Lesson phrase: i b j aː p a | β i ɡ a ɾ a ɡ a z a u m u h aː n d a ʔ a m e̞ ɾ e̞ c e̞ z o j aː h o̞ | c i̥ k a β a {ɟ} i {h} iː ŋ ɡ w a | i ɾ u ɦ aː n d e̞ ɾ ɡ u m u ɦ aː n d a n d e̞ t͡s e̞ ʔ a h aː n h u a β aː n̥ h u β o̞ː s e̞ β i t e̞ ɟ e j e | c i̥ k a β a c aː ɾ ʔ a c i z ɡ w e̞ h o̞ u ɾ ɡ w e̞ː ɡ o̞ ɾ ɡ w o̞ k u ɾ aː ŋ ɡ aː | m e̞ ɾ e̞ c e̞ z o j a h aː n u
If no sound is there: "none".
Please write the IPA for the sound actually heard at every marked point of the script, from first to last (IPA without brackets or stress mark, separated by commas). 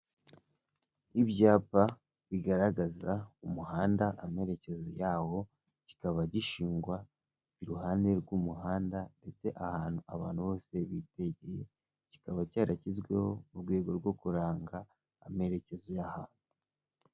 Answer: ɟ, ʃ